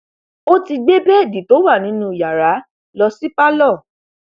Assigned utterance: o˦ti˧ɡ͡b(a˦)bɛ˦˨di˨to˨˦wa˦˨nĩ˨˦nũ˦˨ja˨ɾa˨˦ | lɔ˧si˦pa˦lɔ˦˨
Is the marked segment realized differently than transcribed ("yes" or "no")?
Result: yes